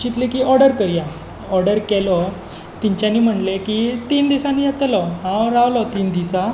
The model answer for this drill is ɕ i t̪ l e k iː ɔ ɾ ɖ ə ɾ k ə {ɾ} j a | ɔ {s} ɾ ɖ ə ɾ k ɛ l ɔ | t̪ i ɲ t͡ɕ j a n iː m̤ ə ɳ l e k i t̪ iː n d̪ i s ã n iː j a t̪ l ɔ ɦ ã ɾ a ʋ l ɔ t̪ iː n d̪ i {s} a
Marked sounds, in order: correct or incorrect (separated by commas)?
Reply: correct, incorrect, correct